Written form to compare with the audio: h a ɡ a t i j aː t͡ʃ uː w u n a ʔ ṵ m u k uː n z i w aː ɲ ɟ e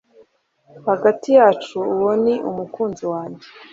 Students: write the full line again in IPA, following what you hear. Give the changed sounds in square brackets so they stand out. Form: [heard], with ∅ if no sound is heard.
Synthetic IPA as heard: h a ɡ a t i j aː t͡ʃ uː w [o] n [i] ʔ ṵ m u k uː n z i w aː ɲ ɟ e